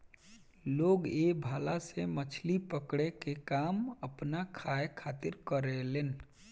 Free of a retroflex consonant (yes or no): no